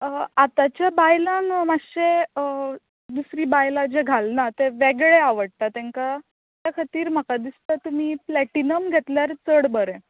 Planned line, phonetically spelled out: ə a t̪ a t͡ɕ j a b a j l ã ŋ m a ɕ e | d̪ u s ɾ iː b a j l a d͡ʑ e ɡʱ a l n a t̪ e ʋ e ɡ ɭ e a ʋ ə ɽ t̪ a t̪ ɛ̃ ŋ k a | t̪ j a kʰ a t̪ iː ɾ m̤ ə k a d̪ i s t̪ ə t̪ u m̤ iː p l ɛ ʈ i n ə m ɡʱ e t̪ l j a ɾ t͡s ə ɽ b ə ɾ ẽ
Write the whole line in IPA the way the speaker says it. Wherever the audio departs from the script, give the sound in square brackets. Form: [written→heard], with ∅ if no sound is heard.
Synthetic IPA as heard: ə a t̪ a t͡ɕ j a b a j l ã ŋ m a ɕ e | d̪ u s ɾ iː b a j l a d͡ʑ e ɡʱ a l n a t̪ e ʋ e ɡ ɭ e a ʋ ə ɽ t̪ a t̪ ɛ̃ ŋ k a | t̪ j a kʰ a t̪ iː ɾ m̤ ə k a d̪ i s t̪ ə t̪ u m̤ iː p l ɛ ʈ i n ə m ɡʱ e t̪ l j a ɾ t͡s ə ɽ b ə ɾ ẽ